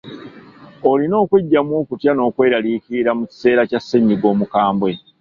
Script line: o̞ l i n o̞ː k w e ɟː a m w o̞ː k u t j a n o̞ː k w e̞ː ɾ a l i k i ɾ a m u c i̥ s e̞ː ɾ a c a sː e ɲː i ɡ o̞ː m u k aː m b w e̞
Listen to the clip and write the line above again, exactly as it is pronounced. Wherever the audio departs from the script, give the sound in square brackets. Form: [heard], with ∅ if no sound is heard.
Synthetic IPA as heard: o̞ l i n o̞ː k w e ɟː a m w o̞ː k u t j a n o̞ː k w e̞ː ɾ a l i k i ɾ a m u c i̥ s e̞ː ɾ a c a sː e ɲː i ɡ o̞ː m u k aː m b w e̞